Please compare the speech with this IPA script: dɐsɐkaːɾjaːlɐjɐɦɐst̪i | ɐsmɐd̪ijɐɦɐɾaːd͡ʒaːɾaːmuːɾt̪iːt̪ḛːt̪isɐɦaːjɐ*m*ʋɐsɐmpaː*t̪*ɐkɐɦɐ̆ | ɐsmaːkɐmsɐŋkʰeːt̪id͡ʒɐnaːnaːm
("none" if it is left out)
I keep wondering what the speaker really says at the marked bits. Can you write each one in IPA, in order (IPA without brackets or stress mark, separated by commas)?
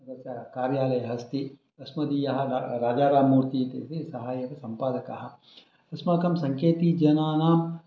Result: none, d̪